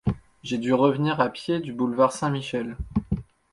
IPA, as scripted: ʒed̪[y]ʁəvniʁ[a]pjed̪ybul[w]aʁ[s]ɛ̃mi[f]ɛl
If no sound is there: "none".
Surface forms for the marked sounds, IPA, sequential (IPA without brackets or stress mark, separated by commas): y, a, v, s, ʃ